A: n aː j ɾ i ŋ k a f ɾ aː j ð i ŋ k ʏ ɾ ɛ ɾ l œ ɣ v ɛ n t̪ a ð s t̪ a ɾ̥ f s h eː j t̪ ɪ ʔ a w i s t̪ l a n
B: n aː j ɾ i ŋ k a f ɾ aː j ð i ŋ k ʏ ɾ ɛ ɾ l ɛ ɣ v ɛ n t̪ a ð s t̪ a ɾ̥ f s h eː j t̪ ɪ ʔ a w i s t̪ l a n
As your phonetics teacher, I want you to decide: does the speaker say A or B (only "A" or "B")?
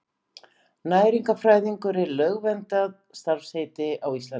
A